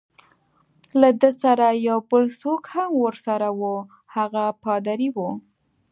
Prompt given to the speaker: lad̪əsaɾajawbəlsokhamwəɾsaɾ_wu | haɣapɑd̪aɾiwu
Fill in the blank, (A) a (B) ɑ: A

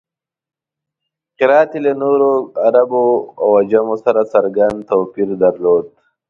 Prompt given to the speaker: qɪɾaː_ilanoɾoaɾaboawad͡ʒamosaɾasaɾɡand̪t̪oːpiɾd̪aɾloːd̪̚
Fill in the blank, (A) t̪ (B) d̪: A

